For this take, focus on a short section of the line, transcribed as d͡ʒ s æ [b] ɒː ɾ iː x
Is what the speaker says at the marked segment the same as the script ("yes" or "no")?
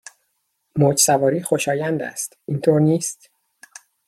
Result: no